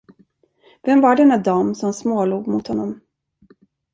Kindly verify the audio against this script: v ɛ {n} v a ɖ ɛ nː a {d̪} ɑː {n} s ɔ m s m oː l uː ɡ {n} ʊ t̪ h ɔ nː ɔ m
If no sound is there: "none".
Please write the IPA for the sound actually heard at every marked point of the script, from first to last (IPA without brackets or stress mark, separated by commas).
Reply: m, d̪, m, m